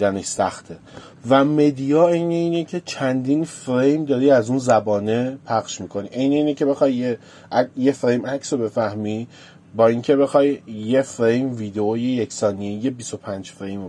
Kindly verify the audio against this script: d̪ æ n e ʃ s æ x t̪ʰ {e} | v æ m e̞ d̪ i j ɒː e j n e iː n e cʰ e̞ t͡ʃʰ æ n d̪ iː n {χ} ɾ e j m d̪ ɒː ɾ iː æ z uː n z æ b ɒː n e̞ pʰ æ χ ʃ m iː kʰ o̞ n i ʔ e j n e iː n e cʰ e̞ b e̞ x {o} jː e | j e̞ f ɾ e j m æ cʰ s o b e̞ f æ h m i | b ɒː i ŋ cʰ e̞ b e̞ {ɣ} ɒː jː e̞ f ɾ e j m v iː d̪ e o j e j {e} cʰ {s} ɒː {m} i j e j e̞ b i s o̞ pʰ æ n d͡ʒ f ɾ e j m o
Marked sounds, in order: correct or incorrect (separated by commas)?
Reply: correct, incorrect, incorrect, incorrect, correct, correct, incorrect